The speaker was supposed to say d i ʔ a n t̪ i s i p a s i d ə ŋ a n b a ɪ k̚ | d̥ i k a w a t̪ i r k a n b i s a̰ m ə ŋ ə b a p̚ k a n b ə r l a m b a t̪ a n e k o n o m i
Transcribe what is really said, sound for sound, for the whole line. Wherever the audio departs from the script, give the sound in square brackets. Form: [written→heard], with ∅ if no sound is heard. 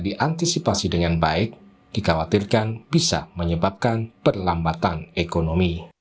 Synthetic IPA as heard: d i ʔ a n t̪ i s i p a s i d ə ŋ a n b a ɪ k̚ | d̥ i k a w a t̪ i r k a n b i s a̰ m ə [ŋ→ɲ] ə b a p̚ k a n [b→p] ə r l a m b a t̪ a n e k o n o m i